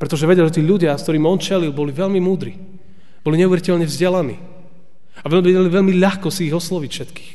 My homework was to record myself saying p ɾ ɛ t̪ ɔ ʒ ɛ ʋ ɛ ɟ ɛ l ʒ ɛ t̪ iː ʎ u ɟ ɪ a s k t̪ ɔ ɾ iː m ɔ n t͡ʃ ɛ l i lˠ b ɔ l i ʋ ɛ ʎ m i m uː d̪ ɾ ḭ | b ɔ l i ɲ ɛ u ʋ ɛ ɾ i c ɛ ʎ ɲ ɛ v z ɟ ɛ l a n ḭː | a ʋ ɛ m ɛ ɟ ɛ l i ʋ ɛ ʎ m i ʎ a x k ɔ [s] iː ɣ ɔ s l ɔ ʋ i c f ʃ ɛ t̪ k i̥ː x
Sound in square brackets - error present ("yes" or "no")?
no